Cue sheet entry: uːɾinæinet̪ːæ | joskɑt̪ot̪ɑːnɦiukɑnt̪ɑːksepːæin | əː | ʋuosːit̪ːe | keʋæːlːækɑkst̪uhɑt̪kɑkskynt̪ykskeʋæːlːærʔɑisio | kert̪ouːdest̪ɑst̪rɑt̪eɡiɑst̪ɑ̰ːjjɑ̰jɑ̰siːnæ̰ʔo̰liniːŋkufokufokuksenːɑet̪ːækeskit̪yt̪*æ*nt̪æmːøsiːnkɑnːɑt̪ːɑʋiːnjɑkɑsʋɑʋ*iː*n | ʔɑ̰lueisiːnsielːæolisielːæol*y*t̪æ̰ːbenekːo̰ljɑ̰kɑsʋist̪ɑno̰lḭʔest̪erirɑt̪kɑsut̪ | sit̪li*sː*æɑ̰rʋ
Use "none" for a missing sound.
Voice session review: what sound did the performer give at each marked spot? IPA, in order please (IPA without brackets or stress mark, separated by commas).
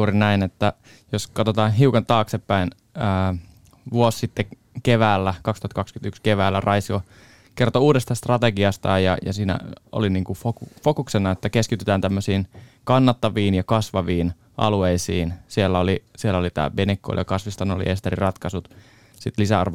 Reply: æː, iː, i, s